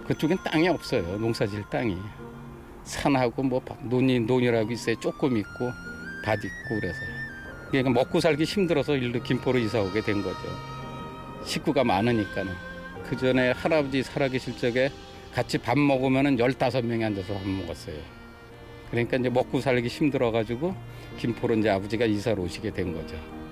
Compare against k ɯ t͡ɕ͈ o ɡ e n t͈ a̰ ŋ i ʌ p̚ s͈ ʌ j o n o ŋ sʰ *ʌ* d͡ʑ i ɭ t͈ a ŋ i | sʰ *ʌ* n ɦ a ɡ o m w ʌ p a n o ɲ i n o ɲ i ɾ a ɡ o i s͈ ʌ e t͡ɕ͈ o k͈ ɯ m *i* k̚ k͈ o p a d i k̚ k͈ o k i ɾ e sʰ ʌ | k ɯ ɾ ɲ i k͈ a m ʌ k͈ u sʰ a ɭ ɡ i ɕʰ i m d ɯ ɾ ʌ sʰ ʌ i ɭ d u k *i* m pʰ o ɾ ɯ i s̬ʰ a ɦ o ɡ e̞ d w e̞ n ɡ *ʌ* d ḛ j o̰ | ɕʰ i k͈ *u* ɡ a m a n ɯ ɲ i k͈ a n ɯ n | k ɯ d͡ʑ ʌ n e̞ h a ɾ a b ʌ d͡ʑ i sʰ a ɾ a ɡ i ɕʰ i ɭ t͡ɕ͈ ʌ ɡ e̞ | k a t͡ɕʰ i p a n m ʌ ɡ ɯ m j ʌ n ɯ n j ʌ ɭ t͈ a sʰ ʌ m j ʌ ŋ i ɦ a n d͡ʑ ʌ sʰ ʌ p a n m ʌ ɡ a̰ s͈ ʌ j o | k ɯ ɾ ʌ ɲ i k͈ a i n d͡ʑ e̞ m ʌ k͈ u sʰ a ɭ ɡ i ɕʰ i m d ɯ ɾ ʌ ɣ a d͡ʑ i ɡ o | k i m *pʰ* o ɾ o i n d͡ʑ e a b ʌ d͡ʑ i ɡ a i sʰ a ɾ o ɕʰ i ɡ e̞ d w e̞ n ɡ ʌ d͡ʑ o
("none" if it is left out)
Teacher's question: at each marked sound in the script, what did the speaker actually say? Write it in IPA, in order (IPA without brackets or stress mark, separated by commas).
a, a, i, i, ʌ, u, pʰ